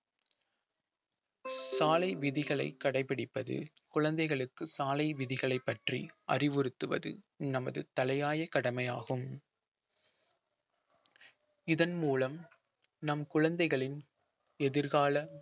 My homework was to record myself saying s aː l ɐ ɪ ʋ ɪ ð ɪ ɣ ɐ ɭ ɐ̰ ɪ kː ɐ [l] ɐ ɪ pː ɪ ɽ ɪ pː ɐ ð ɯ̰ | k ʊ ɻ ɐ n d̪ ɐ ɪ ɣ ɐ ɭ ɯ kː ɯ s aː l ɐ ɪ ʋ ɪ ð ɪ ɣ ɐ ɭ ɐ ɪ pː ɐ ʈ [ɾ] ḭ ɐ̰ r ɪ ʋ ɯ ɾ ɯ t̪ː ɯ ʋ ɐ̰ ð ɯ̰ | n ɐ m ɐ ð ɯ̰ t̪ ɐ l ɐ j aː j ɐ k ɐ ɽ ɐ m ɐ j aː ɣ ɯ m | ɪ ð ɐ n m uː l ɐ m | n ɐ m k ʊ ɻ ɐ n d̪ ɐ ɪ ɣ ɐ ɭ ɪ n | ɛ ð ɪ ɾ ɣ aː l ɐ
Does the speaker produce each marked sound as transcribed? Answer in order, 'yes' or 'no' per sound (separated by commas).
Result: no, no